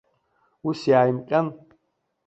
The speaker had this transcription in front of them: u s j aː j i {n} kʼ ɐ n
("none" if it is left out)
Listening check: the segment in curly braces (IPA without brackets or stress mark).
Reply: m